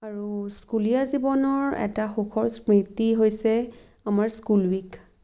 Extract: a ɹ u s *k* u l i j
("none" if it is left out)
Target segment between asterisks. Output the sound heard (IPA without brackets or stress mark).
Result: k